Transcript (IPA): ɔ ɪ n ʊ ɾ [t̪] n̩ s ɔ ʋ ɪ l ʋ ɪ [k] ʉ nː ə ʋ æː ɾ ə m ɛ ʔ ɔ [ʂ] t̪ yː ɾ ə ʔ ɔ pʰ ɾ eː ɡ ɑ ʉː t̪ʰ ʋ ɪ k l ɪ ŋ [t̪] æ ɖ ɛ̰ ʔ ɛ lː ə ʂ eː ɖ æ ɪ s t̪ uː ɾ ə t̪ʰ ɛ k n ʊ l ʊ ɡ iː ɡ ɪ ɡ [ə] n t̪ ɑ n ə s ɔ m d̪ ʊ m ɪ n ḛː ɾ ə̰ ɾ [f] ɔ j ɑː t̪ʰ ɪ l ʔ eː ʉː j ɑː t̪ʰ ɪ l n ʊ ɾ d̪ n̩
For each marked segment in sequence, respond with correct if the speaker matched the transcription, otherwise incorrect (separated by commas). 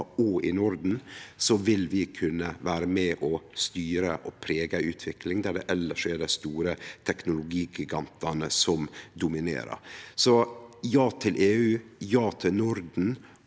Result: incorrect, incorrect, incorrect, incorrect, incorrect, incorrect